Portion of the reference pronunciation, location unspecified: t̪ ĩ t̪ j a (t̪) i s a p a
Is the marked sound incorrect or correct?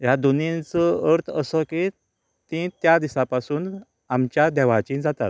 incorrect